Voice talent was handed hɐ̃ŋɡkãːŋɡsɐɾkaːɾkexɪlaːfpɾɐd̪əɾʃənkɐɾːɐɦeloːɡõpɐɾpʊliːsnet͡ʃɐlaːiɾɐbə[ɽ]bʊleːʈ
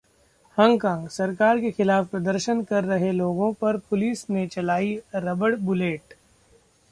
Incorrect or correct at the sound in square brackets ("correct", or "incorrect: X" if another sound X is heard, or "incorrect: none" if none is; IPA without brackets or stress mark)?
correct